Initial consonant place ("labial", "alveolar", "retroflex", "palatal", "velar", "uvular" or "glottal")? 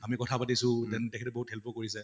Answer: labial